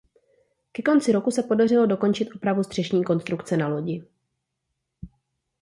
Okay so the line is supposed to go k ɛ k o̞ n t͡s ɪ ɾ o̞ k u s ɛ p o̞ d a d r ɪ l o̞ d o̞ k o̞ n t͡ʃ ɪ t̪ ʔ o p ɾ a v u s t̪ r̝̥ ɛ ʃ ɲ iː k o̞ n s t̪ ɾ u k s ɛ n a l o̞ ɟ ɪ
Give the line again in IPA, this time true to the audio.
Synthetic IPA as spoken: k ɛ k o̞ n t͡s ɪ ɾ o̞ k u s ɛ p o̞ d a r ɪ l o̞ d o̞ k o̞ n t͡ʃ ɪ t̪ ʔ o p ɾ a v u s t̪ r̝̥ ɛ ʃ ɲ iː k o̞ n s t̪ ɾ u k t͡s ɛ n a l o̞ ɟ ɪ